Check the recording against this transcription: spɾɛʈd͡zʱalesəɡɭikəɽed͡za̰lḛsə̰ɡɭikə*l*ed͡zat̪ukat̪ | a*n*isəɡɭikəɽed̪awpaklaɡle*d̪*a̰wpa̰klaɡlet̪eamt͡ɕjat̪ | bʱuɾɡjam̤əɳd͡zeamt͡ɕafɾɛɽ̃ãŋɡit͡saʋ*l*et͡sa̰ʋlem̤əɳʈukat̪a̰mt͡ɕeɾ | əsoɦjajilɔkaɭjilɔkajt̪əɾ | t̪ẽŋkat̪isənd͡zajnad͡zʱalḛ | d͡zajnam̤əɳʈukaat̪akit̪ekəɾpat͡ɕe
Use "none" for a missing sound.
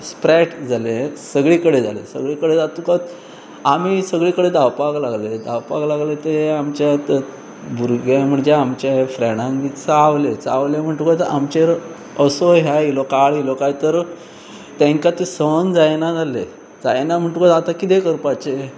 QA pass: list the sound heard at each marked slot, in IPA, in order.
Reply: ɽ, m, d̪, l

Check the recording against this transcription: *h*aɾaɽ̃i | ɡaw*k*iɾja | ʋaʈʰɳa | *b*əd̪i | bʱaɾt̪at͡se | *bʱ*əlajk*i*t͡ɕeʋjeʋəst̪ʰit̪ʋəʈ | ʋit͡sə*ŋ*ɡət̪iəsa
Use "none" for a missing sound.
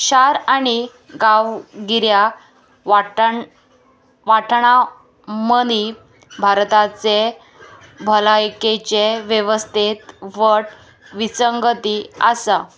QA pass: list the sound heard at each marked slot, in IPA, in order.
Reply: ɕ, ɡ, m, bʱ, e, ŋ

